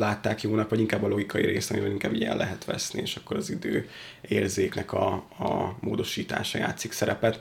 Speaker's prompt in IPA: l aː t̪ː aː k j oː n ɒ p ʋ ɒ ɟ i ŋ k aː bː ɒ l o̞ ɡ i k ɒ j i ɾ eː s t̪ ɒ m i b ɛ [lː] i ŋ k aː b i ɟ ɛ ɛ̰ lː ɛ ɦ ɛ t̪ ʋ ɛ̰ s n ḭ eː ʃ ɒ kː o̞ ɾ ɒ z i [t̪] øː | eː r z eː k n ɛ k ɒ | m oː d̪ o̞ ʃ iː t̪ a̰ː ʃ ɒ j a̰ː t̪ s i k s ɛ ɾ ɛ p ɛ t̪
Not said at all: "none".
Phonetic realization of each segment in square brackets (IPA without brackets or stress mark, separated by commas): l, d̪